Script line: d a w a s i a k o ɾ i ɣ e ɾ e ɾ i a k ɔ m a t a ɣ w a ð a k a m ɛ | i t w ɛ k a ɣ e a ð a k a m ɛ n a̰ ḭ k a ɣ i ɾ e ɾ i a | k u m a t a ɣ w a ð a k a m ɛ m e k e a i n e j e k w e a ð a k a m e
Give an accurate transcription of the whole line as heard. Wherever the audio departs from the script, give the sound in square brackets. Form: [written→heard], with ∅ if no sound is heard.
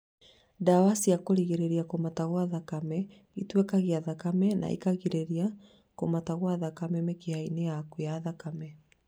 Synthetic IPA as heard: d a w a s i a k o ɾ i ɣ e ɾ e ɾ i a k [ɔ→o] m a t a ɣ w a ð a k a m ɛ | i t w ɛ k a ɣ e a ð a k a m ɛ n a̰ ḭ k a ɣ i ɾ e ɾ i a | k [u→o] m a t a ɣ w a ð a k a m ɛ m e k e a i n e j [e→a] k w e a ð a k a m [e→ɛ]